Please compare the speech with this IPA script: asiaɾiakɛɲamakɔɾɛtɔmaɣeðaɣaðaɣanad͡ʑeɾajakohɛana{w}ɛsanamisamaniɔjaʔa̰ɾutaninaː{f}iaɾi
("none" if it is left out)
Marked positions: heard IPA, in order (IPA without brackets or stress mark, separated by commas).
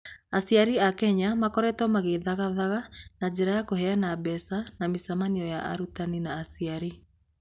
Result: b, s